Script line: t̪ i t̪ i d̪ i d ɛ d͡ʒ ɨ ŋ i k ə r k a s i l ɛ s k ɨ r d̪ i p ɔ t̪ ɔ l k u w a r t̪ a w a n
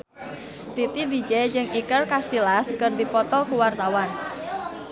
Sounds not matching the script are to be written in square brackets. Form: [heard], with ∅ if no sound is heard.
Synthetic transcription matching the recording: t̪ i t̪ i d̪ i [d͡ʒ] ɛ d͡ʒ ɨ ŋ i k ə r k a s i l [a] s k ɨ r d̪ i p ɔ t̪ ɔ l k u w a r t̪ a w a n